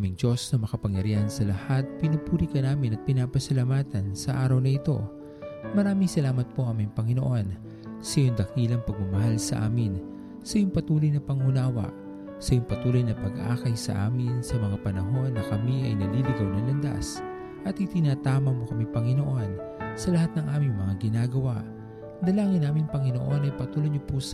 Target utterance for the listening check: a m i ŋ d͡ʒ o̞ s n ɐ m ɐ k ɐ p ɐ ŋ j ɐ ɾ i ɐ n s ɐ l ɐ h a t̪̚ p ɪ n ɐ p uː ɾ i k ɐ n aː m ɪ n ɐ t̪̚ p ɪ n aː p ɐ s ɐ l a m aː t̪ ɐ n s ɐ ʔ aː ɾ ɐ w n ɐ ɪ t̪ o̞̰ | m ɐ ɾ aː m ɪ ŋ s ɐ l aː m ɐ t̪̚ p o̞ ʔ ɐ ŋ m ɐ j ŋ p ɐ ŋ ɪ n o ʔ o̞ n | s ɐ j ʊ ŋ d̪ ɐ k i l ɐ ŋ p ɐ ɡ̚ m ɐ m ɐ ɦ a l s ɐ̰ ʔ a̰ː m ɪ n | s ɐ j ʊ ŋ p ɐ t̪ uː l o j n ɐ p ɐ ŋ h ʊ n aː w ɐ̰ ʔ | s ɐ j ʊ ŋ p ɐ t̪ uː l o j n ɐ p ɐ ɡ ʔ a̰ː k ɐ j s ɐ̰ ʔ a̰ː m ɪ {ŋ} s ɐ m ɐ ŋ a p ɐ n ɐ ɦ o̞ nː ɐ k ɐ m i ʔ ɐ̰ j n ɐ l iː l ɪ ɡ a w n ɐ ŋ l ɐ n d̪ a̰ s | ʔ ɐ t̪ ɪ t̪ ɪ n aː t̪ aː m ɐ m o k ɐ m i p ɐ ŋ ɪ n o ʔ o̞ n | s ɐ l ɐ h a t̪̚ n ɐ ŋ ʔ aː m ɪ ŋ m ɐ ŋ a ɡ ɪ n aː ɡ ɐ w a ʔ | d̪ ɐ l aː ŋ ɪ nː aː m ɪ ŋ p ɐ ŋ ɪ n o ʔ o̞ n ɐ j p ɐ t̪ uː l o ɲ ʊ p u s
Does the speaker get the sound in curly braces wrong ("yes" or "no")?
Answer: yes